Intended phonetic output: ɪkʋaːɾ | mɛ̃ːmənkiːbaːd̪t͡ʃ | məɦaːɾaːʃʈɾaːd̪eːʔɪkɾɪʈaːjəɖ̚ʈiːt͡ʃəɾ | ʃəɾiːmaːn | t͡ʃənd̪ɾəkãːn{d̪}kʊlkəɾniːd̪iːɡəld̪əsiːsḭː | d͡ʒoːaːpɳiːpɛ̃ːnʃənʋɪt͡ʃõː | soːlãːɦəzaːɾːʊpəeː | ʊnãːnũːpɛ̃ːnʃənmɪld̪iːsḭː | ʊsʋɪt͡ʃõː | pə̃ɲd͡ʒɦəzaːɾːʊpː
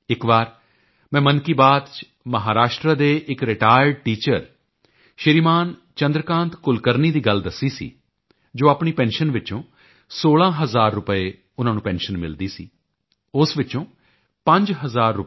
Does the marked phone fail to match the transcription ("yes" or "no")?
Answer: yes